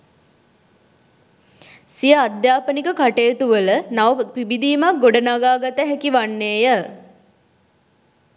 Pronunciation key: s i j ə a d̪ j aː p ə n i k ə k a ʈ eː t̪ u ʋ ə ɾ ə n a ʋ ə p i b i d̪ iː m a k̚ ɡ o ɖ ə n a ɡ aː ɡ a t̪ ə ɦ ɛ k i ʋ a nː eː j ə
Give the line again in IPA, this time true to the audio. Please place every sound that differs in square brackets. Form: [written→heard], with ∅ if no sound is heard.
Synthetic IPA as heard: s i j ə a d̪ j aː p ə n i k ə k a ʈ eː t̪ u ʋ ə [ɾ→l] ə n a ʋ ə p i b i d̪ iː m a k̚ ɡ o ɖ ə n a ɡ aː ɡ a t̪ ə ɦ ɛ k i ʋ a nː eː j ə